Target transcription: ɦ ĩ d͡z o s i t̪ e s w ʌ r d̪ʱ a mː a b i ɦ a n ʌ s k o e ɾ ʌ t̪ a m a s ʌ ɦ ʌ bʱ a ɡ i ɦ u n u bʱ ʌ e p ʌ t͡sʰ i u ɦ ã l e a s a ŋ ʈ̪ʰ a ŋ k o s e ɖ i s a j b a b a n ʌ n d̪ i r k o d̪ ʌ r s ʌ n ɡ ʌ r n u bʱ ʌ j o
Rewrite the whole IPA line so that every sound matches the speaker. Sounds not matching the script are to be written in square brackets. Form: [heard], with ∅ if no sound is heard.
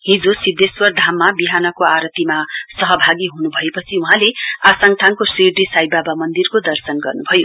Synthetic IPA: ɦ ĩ d͡z o s i [d̪] e s w ʌ r d̪ʱ a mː a b i ɦ a n ʌ [∅] k o [a] ɾ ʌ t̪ [i] m a s ʌ ɦ ʌ bʱ a ɡ i ɦ u n u bʱ ʌ e p ʌ t͡sʰ i u ɦ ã l e a s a ŋ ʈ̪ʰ a ŋ k o s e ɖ i s a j b a b a [m] ʌ n d̪ i r k o d̪ ʌ r s ʌ n ɡ ʌ r n u bʱ ʌ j o